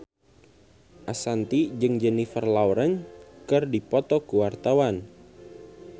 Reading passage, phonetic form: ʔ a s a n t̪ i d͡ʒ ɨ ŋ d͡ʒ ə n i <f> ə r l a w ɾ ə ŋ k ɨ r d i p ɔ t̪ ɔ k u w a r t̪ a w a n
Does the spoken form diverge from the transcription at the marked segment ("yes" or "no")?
no